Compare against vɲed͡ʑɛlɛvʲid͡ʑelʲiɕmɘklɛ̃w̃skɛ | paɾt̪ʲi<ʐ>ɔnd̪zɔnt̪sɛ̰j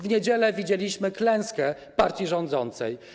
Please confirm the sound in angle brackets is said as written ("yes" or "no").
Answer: yes